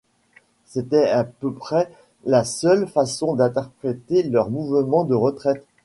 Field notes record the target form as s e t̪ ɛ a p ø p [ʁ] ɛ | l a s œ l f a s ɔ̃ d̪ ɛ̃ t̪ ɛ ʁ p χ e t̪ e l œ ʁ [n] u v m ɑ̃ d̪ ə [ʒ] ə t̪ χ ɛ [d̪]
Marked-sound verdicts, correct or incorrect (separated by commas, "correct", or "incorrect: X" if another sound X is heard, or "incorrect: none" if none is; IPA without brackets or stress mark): incorrect: χ, incorrect: m, incorrect: ʁ, incorrect: t̪